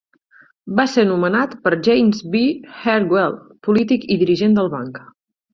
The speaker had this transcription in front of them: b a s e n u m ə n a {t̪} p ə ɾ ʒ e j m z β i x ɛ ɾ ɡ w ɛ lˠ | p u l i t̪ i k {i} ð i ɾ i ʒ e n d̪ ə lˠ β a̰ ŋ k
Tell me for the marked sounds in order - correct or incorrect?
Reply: correct, correct

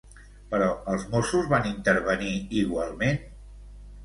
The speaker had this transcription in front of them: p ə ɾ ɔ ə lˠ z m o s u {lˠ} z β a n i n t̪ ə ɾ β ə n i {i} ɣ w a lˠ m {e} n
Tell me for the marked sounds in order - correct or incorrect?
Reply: incorrect, correct, correct

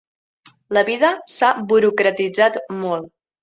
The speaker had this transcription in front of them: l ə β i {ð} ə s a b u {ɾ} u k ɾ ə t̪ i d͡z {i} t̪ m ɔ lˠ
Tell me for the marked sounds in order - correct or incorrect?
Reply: correct, correct, incorrect

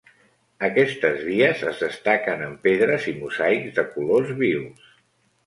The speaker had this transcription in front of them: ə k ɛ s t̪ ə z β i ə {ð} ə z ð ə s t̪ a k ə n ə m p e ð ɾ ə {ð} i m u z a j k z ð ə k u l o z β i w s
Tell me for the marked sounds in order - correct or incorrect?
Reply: incorrect, incorrect

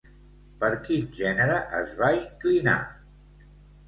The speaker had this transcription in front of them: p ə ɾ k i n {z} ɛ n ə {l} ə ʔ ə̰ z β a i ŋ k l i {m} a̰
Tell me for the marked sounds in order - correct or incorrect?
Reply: incorrect, incorrect, incorrect

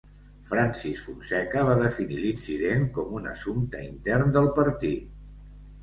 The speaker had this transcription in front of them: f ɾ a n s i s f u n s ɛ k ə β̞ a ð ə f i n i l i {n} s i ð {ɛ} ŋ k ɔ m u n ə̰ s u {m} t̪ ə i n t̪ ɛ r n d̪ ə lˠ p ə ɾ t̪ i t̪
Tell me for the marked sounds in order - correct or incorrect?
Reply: correct, incorrect, correct

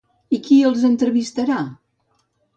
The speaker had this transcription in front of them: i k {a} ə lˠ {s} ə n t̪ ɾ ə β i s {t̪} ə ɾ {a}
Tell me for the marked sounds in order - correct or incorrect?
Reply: incorrect, incorrect, correct, correct

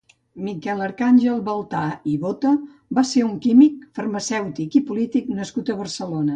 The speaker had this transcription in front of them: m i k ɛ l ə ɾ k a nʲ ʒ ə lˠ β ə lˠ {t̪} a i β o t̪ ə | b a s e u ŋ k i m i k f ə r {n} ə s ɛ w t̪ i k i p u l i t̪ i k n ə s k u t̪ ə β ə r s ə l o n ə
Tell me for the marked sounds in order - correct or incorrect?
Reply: correct, incorrect

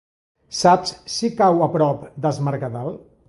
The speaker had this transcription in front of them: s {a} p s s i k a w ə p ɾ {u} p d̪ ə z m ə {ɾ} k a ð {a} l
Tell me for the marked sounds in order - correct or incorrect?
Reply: correct, incorrect, correct, correct

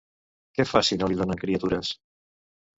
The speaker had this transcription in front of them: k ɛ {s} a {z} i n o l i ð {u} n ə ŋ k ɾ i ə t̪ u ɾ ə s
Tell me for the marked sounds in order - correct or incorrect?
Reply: incorrect, incorrect, incorrect

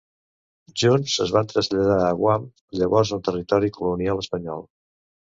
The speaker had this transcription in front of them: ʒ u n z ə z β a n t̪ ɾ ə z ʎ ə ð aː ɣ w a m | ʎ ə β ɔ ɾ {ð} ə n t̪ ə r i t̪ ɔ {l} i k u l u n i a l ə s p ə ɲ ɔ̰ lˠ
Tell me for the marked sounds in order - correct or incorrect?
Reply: incorrect, incorrect

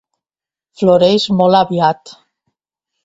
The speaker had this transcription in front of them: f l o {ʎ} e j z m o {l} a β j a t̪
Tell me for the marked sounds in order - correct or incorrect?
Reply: incorrect, correct

